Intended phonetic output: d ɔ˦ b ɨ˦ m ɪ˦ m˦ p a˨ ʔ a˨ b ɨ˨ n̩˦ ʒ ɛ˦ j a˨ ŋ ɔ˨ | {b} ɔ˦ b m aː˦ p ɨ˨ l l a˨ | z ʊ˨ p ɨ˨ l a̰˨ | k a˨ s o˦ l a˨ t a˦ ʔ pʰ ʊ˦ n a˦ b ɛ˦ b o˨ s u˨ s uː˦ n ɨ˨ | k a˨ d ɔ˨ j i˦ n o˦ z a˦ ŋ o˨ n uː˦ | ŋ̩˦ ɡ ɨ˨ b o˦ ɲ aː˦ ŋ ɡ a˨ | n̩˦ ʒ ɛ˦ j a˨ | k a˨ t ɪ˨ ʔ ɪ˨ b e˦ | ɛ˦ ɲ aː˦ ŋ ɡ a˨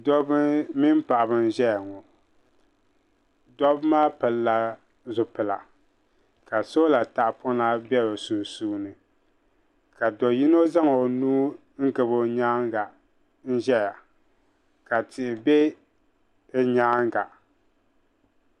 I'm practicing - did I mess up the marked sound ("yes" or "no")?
yes